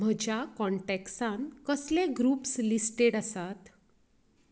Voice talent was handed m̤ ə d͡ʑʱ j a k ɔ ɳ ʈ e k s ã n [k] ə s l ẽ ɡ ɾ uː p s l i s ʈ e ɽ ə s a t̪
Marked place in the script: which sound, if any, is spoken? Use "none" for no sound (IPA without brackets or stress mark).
k